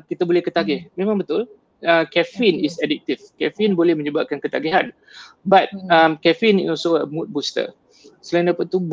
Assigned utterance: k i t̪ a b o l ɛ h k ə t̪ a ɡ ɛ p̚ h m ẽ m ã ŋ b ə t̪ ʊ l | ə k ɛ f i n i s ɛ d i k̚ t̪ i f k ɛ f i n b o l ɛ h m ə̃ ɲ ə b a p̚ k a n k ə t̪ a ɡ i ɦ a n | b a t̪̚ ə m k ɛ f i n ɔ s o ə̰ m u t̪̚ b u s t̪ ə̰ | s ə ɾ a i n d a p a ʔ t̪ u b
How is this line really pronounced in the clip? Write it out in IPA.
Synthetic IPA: k i t̪ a b o l ɛ h k ə t̪ a ɡ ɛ h m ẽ m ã ŋ b ə t̪ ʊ l | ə k ɛ f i n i s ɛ d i k̚ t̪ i f k ɛ f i n b o l ɛ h m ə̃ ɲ ə b a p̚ k a n k ə t̪ a ɡ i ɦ a n | b a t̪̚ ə m k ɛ f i n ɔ s o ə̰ m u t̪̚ b u s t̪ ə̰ | s ə l a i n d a p a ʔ t̪ u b